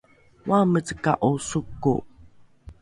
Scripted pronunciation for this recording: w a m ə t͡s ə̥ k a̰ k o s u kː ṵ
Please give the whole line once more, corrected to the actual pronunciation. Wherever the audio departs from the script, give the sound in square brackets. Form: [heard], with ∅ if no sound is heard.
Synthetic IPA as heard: w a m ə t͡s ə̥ k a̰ [ʔ] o s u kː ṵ